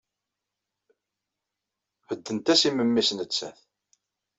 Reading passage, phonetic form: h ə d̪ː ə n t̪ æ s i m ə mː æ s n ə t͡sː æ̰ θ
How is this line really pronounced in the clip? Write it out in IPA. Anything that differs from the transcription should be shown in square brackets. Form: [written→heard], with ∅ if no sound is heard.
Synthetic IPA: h ə d̪ː ə n t̪ æ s i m ə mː [æ→i] s n ə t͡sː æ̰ θ